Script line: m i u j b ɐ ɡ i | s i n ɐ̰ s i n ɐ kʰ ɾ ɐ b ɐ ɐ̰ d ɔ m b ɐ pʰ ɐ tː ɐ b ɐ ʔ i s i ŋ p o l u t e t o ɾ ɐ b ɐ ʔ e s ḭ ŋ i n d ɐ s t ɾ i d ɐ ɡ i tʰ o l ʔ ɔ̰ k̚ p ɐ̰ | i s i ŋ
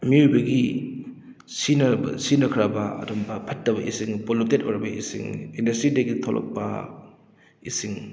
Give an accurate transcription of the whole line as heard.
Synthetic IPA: m i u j b ɐ ɡ i | s i n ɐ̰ s i n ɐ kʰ ɾ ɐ b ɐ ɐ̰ d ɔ m b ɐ pʰ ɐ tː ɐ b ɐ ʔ i s i ŋ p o l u t e t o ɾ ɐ b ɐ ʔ i s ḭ ŋ i n d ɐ s t ɾ i d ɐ ɡ i tʰ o l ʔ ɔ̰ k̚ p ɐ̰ | i s i ŋ